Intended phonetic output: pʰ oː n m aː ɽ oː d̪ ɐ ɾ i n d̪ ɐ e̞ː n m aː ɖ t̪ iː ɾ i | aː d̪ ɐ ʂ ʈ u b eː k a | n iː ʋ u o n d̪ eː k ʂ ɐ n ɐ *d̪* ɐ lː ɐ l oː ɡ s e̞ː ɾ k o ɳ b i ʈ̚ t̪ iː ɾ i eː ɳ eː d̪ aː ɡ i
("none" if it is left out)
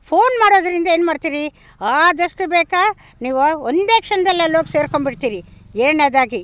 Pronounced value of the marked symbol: d̪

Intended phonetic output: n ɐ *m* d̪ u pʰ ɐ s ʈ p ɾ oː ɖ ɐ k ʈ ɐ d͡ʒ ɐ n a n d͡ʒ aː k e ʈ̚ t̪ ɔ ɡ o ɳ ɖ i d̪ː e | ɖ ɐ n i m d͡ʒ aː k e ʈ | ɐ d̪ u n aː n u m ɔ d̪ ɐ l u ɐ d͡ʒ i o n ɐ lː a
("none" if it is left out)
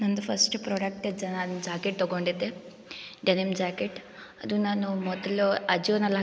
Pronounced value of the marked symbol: n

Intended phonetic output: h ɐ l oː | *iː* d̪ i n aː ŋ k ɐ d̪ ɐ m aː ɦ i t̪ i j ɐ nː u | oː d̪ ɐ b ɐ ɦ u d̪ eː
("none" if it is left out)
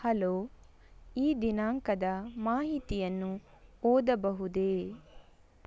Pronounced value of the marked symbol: iː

